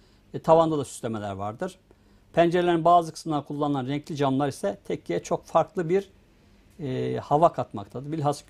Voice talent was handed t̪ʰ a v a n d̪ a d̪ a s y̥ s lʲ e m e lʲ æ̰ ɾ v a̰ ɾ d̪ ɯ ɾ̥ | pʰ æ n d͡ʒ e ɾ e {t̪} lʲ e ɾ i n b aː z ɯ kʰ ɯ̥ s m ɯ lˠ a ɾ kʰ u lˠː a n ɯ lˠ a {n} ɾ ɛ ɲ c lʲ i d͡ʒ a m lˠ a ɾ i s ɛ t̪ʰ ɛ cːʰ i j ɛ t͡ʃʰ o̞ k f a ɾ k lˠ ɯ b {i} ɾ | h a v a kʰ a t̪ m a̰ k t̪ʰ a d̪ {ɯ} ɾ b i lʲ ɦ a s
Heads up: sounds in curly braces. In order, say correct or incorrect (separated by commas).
incorrect, correct, correct, correct